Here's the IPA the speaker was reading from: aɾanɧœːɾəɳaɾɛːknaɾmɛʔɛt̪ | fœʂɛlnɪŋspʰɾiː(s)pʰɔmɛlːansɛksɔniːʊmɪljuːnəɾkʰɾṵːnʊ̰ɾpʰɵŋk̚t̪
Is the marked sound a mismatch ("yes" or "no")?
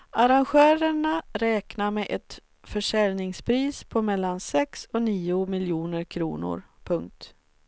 no